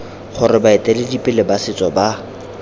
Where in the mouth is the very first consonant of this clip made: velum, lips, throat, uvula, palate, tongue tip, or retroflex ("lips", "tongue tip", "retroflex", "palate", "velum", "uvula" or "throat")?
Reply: uvula